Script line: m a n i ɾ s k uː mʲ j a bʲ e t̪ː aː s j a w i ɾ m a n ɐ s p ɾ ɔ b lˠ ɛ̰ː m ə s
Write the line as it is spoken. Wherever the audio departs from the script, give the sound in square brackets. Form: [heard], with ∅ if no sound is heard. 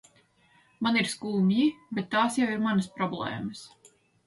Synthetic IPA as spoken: m a n i ɾ s k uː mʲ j [i] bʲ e t̪ː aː s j a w i ɾ m a n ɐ s p ɾ ɔ b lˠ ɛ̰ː m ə s